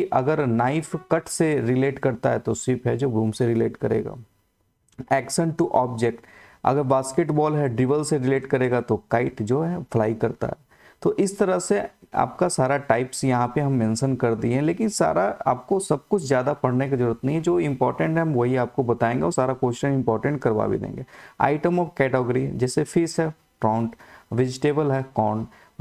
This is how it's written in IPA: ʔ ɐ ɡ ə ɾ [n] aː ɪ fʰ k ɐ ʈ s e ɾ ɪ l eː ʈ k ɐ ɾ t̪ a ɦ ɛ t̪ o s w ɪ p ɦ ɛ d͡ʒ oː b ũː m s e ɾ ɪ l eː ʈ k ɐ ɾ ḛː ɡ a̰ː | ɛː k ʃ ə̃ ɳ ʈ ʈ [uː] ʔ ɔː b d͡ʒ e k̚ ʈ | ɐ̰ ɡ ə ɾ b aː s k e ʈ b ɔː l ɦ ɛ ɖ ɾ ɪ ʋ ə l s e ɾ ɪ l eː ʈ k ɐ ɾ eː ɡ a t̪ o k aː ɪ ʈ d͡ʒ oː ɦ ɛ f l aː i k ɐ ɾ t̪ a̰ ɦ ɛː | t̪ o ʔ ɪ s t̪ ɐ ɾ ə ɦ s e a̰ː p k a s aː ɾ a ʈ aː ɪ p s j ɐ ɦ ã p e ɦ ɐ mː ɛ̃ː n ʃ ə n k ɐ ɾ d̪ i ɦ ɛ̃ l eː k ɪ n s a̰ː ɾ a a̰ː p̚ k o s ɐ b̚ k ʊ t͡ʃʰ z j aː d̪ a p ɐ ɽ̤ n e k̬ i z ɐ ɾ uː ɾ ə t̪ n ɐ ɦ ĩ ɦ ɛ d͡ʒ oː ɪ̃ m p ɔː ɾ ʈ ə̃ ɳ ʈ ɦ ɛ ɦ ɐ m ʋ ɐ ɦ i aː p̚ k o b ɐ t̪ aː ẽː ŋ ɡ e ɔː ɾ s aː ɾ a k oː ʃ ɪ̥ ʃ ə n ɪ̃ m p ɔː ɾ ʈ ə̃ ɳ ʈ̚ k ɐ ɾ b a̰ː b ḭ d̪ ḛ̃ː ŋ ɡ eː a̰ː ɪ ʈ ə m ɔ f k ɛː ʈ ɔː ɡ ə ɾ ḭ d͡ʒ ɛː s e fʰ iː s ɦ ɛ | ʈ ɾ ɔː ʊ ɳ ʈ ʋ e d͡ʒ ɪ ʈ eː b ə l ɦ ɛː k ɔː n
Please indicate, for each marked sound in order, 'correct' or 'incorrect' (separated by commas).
correct, incorrect